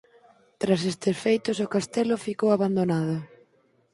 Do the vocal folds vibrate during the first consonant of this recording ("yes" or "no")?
no